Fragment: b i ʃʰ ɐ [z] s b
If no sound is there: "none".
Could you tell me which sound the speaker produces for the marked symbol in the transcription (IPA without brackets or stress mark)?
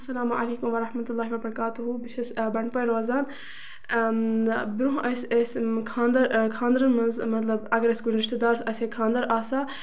none